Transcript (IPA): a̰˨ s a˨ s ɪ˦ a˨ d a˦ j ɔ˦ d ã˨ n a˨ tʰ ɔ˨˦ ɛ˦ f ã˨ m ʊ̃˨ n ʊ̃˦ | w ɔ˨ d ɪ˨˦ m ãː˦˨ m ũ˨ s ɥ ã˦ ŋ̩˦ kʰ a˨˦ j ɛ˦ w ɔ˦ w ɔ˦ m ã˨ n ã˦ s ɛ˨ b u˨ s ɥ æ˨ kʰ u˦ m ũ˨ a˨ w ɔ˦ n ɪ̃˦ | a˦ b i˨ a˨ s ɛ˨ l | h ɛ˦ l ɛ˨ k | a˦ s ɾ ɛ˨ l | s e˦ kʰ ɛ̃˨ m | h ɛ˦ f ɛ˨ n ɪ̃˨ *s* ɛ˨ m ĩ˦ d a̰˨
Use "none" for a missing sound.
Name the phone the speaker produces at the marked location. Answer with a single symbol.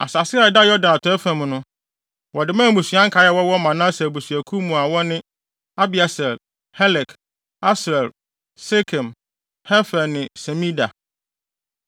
s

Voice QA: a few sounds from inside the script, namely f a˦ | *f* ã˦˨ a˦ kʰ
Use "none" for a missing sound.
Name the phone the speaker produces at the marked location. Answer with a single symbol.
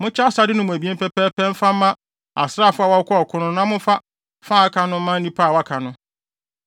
f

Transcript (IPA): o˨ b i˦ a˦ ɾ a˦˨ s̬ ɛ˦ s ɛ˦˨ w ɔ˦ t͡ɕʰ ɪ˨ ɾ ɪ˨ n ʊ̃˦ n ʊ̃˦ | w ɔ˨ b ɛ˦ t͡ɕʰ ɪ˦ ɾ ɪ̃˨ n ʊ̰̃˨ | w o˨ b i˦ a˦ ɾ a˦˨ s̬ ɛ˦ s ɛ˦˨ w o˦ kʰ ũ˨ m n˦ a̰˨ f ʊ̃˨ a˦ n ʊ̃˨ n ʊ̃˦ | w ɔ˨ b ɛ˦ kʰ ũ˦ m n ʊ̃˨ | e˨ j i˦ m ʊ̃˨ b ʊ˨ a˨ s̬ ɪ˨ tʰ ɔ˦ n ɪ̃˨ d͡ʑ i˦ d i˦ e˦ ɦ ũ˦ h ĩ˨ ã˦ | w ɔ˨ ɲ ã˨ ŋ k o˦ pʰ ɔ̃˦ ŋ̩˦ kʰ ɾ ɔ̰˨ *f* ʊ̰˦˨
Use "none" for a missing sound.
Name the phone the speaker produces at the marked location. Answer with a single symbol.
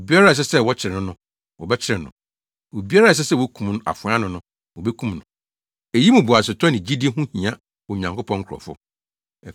f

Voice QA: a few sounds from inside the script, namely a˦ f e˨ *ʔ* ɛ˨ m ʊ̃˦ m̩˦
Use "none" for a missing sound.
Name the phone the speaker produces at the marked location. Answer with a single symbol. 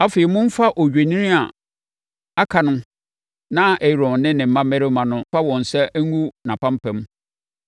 none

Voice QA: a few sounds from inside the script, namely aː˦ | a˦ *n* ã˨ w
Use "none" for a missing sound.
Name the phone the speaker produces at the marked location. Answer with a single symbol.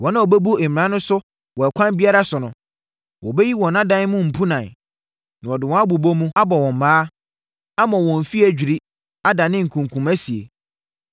m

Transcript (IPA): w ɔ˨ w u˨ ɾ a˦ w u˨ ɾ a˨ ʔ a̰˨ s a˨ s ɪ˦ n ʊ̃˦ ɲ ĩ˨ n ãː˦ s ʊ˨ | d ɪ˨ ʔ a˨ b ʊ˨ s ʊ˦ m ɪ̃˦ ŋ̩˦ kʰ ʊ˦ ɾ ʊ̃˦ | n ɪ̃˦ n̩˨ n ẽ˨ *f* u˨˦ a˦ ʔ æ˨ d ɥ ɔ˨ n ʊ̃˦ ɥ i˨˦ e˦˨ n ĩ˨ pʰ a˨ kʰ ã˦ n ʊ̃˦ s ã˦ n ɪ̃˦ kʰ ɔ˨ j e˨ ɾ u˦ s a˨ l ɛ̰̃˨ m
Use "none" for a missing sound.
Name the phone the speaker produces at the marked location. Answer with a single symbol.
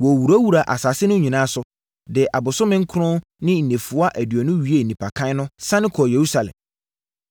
f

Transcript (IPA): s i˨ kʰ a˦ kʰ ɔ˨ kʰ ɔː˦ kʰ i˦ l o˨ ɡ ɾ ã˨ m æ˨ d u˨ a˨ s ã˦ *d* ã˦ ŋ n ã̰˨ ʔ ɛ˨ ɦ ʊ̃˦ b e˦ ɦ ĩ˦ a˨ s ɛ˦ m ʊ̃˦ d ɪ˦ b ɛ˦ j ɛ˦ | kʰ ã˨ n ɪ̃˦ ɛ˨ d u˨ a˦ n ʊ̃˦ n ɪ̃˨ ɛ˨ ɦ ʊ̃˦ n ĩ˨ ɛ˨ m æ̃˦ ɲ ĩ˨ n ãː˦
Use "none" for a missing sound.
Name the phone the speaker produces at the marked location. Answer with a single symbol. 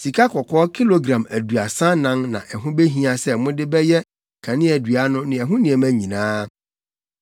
n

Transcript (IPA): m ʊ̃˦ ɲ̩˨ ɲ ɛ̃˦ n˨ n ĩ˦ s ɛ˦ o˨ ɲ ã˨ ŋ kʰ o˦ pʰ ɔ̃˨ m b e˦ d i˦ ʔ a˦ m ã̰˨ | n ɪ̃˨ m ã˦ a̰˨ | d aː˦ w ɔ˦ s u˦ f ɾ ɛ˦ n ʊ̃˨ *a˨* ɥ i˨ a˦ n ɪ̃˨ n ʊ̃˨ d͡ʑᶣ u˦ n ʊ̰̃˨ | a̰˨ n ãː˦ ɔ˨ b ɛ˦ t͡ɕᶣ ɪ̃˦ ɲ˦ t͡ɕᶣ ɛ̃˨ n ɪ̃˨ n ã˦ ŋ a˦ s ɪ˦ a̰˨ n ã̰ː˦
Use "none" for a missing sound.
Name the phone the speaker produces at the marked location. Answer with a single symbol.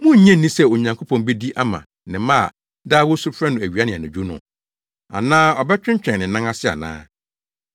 æ˨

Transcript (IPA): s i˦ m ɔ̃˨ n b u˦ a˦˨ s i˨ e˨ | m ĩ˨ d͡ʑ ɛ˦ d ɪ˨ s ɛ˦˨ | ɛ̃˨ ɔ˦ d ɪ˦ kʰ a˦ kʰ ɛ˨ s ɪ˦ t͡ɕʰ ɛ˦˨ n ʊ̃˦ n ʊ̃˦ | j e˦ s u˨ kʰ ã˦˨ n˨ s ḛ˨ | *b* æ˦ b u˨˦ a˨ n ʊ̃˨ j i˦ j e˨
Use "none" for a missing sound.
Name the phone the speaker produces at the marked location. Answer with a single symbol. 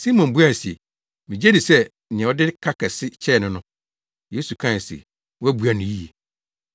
w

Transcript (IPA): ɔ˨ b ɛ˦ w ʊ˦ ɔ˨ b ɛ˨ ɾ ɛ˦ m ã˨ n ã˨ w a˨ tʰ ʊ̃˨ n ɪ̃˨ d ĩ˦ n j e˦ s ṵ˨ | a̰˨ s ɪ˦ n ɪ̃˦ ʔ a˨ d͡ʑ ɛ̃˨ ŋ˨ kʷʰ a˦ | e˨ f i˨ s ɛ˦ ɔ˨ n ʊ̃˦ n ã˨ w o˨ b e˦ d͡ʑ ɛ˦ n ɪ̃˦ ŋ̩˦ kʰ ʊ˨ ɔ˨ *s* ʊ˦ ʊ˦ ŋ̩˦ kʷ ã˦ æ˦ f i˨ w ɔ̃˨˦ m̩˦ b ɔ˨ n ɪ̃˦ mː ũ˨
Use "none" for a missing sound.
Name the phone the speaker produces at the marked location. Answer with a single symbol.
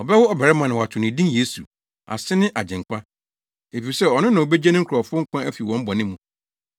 f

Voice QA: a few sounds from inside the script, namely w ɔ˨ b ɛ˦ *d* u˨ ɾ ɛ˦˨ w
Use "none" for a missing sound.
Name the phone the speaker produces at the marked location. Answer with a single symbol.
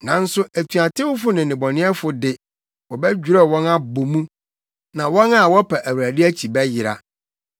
d͡ʑᶣ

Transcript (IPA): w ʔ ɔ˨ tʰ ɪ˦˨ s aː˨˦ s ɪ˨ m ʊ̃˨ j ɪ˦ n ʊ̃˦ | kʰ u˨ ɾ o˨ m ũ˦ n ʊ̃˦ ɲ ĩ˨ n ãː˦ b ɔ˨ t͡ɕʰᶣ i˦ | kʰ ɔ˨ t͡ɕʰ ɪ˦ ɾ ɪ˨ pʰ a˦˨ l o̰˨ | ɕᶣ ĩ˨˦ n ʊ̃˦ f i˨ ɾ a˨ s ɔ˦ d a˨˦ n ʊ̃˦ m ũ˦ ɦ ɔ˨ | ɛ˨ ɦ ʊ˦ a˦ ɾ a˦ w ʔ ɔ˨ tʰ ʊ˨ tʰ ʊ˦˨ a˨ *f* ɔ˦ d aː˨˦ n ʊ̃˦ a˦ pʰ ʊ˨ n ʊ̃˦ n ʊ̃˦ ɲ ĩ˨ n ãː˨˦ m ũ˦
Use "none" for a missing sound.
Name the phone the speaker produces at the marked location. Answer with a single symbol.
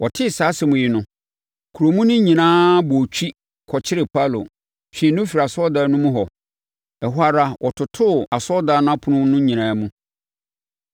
s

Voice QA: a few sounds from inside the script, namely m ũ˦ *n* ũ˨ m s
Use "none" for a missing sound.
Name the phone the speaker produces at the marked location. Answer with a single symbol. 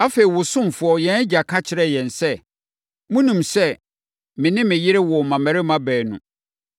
n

